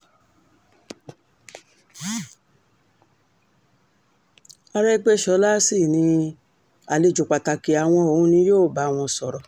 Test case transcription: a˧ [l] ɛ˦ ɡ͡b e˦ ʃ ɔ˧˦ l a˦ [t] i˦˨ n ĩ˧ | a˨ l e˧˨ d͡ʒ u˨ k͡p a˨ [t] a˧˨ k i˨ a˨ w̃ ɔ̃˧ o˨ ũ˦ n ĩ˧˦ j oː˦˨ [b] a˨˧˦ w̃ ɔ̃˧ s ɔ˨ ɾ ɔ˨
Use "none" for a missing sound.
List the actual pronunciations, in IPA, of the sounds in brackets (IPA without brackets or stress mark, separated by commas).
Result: ɾ, s, t, b